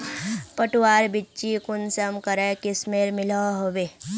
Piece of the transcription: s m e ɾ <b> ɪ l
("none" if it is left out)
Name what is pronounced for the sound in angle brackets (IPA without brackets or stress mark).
m